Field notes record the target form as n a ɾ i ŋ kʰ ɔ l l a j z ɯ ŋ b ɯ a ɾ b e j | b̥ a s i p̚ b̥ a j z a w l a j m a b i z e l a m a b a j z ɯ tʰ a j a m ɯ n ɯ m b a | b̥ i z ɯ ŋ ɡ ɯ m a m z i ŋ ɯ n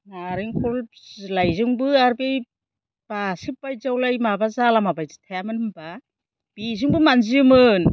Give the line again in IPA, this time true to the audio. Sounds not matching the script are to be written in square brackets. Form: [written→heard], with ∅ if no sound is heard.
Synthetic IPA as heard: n a ɾ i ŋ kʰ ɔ l l a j z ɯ ŋ b ɯ a ɾ b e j | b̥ a s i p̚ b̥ a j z a w l a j m a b [i→a] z [e→a] l a m a b a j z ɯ tʰ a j a m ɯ n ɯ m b a | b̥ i z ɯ ŋ [ɡ→b] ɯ m a [m→n] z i [ŋ→m] ɯ n